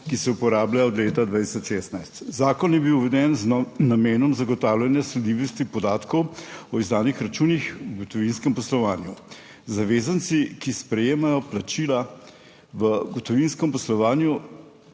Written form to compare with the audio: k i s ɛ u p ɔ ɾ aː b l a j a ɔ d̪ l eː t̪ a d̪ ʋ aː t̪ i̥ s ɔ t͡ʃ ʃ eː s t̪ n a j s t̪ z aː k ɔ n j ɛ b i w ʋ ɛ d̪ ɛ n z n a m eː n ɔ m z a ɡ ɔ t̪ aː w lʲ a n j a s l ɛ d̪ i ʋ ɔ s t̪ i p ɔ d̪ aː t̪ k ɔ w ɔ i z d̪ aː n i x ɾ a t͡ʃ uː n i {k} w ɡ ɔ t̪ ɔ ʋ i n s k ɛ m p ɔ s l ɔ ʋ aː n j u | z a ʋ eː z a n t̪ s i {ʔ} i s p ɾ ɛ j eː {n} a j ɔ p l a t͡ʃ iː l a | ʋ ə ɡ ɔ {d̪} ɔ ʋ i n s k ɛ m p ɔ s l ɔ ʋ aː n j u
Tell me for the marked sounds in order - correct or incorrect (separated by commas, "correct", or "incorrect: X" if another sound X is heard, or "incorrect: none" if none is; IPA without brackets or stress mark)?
incorrect: x, incorrect: k, incorrect: m, incorrect: t̪